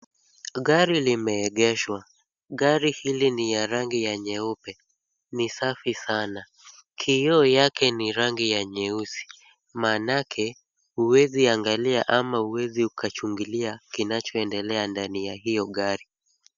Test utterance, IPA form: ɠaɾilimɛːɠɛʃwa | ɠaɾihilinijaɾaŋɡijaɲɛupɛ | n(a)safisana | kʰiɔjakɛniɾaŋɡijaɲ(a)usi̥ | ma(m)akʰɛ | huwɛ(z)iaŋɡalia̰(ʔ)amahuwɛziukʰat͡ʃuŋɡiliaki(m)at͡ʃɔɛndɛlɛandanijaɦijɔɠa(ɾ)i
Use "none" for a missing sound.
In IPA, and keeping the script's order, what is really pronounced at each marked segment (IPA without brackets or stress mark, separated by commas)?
i, ɛ, n, z, ʔ, n, ɾ